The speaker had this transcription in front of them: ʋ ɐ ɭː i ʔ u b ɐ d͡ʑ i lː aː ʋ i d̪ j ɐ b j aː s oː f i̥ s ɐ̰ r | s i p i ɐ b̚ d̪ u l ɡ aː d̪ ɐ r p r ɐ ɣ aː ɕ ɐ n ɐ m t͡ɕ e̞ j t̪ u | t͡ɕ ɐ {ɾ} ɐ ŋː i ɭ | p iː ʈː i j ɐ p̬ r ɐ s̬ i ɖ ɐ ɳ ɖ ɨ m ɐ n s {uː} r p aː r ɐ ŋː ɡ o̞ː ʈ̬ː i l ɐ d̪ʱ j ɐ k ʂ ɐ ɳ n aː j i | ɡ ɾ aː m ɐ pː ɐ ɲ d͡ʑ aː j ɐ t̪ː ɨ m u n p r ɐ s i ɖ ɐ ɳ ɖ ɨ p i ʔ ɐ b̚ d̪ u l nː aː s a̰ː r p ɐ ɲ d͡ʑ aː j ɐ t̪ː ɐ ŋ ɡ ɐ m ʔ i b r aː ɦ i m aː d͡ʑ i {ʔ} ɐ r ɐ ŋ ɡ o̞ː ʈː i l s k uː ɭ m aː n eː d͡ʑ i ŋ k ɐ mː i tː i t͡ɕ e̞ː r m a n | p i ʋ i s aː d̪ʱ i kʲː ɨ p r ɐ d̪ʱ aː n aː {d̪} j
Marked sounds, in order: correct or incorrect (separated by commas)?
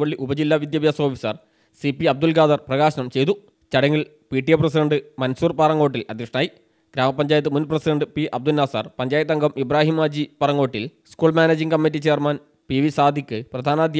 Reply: incorrect, correct, incorrect, correct